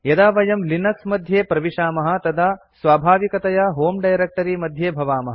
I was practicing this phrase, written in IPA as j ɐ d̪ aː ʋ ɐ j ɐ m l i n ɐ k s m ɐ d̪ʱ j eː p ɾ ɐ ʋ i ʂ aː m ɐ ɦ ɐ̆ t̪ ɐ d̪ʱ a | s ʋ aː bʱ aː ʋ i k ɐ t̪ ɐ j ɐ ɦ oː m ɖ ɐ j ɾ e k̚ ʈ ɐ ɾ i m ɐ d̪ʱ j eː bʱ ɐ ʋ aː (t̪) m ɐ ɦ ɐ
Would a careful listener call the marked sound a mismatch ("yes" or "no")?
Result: yes